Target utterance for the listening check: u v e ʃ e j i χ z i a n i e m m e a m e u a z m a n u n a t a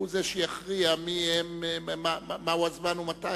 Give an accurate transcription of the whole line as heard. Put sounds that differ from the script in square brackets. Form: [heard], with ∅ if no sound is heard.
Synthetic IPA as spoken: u [z] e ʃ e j [a] χ [ʁ] i a [m] i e m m [a] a m [a] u a z m a n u [m] a t a